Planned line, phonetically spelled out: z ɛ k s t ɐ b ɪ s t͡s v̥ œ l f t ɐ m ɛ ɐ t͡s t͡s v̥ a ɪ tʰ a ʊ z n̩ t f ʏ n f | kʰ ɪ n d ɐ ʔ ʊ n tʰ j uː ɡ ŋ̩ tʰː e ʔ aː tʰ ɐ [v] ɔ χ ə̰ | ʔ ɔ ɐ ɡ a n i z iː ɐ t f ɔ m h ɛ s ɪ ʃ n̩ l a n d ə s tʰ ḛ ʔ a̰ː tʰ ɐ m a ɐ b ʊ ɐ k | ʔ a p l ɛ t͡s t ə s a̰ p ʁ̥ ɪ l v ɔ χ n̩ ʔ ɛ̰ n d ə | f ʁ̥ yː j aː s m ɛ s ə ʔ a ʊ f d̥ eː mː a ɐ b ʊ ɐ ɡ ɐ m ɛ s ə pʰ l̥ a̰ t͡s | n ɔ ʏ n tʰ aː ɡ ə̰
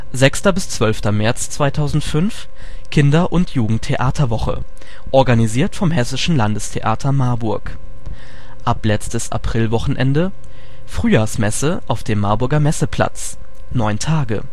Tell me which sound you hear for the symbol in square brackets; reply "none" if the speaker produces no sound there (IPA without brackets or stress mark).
v